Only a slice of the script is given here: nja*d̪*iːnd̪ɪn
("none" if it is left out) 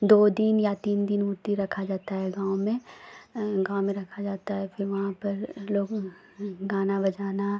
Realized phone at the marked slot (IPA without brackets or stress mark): t̪